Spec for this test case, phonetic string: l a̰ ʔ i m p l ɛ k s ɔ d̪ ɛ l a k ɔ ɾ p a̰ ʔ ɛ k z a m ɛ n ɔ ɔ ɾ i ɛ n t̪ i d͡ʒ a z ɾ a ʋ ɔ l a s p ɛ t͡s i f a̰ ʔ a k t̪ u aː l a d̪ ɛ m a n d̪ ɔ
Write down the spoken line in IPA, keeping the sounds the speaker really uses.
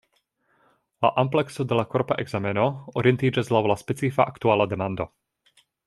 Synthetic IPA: l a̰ ʔ a m p l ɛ k s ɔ d̪ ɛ l a k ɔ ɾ p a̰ ʔ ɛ ɡ z a m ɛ n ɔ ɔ ɾ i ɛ n t̪ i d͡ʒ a z l a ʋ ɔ l a s p ɛ t͡s i f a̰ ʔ a k t̪ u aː l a d̪ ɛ m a n d̪ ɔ

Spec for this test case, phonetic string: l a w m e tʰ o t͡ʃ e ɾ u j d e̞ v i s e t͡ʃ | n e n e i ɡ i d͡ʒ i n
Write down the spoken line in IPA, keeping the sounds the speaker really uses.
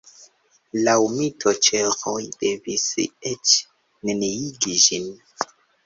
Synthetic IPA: l a w m i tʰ o t͡ʃ e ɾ o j d e̞ v i s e t͡ʃ | n e n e i ɡ i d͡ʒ i n

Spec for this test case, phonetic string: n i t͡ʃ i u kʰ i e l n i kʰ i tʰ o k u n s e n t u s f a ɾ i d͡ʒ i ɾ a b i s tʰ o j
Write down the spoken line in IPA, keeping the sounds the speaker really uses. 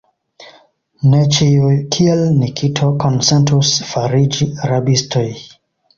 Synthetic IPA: n e t͡ʃ i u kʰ i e l n i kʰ i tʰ o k o n s e n t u s f a ɾ i d͡ʒ i ɾ a b i s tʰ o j

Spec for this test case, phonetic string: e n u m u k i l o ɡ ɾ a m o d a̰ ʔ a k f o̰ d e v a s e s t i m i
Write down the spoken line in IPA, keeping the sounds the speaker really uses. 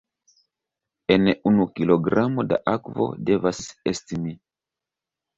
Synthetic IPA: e n u n u k i l o ɡ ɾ a m o d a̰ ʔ a k v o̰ d e v a s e s t i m i

